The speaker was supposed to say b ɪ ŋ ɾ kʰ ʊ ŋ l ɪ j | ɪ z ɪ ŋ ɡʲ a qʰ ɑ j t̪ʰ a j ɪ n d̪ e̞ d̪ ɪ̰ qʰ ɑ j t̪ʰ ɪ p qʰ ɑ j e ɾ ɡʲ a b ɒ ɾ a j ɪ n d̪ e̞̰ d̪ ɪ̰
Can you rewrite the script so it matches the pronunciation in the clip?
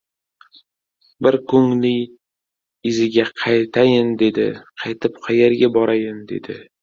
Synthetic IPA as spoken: b ɪ ɾ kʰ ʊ ŋ l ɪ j | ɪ z ɪ ɡʲ a qʰ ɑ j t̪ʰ a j ɪ n d̪ e̞ d̪ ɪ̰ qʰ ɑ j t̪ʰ ɪ p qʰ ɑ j e ɾ ɡʲ a b ɒ ɾ a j ɪ n d̪ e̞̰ d̪ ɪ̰